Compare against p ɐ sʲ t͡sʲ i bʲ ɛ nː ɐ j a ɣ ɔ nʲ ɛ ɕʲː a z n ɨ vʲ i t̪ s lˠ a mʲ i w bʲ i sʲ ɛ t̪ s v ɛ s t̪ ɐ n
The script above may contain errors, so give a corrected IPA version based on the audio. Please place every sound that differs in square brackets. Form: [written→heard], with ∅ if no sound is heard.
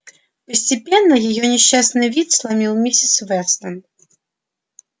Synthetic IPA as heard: p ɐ sʲ t͡sʲ i [bʲ→pʲ] ɛ nː ɐ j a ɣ ɔ nʲ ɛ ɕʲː a [z→s] n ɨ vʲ i t̪ s lˠ a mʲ i w [bʲ→mʲ] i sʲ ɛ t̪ s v ɛ s t̪ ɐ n